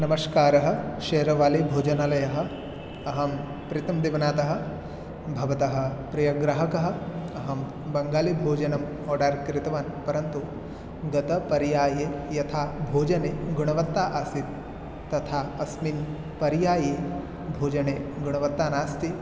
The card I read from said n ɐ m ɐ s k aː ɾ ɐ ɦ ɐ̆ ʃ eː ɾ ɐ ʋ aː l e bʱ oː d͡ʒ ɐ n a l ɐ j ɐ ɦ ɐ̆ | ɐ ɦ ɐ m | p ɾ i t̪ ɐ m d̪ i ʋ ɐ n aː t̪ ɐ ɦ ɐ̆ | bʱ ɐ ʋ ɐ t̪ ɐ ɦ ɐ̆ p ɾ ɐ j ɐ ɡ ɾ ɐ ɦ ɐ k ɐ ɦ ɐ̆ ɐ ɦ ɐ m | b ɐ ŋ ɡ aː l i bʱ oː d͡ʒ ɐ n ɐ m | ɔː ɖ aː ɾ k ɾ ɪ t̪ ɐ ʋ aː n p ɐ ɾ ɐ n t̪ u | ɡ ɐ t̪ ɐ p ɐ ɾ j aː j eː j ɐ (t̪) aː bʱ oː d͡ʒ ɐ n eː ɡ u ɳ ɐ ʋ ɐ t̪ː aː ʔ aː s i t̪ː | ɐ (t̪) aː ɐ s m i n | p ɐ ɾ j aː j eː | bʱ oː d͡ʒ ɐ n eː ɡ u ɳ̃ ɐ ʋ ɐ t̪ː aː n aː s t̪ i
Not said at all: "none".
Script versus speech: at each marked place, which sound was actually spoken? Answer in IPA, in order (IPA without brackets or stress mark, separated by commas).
t̪ʰ, t̪ʰ